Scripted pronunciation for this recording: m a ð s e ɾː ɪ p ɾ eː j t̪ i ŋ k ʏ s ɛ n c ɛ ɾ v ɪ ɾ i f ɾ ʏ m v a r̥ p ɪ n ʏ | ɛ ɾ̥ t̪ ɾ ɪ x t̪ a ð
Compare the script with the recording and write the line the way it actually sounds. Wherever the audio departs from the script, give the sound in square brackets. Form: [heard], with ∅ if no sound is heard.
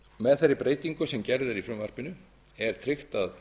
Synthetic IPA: m [ɛ] ð [θ] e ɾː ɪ p ɾ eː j t̪ i ŋ k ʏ s ɛ [m] c ɛ ɾ [ð] ɪ ɾ i f ɾ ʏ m v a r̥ p ɪ n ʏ | ɛ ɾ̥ [t̪ʰ] ɾ ɪ x t̪ a ð

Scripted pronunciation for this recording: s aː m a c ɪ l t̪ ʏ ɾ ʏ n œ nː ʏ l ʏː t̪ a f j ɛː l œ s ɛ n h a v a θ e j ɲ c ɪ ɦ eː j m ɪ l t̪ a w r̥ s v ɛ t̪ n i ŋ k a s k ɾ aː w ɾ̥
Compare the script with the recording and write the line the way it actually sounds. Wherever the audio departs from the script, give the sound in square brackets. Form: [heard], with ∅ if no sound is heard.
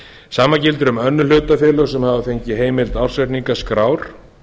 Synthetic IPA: s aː m a c ɪ l t̪ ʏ ɾ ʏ [m] œ nː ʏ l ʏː t̪ a f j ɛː l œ s ɛ [m] h a v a θ e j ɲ c ɪ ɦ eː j m ɪ l t̪ a w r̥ s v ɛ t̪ n i ŋ k a s k ɾ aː w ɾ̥

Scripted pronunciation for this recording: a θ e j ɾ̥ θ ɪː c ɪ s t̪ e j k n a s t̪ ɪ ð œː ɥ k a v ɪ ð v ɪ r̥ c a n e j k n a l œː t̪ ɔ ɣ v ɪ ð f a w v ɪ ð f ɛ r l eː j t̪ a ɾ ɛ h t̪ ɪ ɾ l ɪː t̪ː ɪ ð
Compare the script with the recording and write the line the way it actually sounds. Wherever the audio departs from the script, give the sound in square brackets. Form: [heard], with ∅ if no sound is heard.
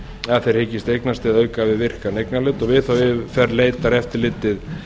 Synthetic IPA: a θ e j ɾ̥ [h] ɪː c ɪ s t̪ e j k n a s t̪ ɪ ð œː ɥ k a v ɪ ð v ɪ r̥ [k] a n e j k n a l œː t̪ ɔ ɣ v ɪ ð [θ] a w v ɪ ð f ɛ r l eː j t̪ a ɾ ɛ [f] t̪ ɪ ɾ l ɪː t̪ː ɪ ð

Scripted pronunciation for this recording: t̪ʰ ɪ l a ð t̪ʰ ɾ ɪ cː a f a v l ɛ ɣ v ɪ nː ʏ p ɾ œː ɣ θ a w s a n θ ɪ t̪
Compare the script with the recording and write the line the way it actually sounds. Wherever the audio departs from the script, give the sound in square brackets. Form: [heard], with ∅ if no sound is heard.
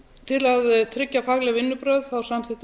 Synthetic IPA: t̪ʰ ɪ l a ð t̪ʰ ɾ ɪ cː a f a [ɣ] l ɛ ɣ v ɪ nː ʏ p ɾ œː [ð] θ a w s a [m] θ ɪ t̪

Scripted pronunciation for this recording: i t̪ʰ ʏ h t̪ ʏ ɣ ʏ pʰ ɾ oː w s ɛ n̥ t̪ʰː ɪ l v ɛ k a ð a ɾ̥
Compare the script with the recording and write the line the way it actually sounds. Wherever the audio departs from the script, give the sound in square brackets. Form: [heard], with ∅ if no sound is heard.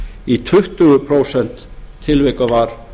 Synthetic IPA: i t̪ʰ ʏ h t̪ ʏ ɣ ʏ pʰ ɾ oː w s ɛ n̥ t̪ʰː ɪ l v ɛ k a [v] a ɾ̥

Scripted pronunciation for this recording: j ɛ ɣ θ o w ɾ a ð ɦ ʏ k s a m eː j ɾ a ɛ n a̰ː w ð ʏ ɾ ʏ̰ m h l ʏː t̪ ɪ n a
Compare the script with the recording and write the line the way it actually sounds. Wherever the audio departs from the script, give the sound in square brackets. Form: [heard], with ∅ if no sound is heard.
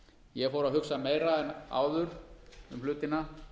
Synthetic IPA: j ɛ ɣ [f] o w ɾ a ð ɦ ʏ k s a m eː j ɾ a ɛ n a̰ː w ð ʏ ɾ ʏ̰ m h l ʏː t̪ ɪ n a

